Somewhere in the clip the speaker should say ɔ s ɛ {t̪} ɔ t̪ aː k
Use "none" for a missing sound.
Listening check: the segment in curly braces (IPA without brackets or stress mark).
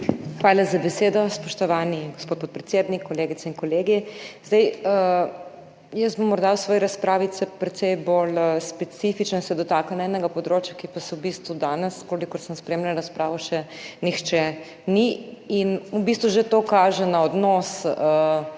d̪